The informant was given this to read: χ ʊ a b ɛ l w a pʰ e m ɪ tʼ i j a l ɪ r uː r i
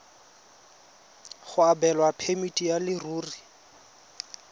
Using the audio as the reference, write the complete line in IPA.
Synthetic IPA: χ ʊ a b ɛ l w a pʰ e m i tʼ i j a l ɪ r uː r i